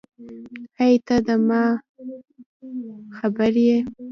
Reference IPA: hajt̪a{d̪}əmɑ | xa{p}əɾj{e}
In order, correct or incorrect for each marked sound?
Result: correct, incorrect: b, correct

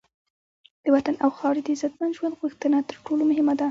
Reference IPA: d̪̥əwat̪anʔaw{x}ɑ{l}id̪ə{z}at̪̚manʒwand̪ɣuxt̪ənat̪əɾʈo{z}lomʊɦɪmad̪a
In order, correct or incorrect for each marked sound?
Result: correct, incorrect: ɽ, correct, incorrect: none

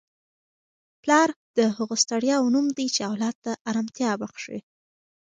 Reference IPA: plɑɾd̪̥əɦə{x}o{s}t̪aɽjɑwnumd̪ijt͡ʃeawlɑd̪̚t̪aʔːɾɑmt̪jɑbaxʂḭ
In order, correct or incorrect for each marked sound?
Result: incorrect: ɣ, correct

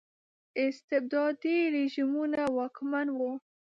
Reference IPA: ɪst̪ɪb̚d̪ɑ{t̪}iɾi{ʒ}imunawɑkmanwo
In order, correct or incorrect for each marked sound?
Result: incorrect: d̪, correct

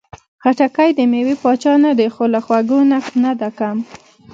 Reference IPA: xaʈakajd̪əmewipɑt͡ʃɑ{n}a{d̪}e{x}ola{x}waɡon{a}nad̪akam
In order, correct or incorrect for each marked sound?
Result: correct, correct, correct, correct, correct

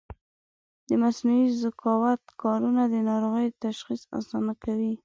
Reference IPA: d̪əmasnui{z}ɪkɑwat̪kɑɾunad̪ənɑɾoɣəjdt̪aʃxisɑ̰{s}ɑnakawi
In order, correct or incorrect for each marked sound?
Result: correct, correct

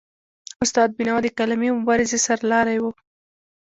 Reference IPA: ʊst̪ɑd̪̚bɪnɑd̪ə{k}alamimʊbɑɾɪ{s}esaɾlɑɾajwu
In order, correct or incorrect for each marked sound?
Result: correct, incorrect: z

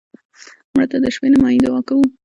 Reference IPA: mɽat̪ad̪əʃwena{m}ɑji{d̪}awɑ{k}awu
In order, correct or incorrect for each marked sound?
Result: correct, correct, correct

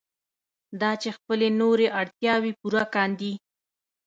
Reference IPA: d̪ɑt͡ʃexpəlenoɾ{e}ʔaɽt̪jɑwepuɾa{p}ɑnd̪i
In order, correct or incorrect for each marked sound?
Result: correct, incorrect: k

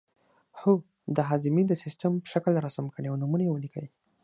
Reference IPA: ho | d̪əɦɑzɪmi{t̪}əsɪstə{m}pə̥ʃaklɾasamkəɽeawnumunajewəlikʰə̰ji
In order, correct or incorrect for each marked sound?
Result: incorrect: d̪, correct

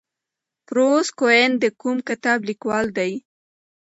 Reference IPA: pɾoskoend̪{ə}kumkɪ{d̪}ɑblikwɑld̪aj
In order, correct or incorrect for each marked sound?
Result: correct, incorrect: t̪

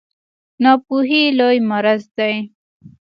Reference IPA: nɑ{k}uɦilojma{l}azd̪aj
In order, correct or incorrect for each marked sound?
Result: incorrect: p, incorrect: ɾ

